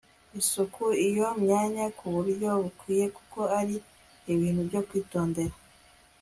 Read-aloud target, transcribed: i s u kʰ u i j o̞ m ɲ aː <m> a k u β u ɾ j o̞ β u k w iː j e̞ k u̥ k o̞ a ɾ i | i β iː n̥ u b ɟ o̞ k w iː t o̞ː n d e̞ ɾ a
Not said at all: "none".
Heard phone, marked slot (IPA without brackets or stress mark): ɲ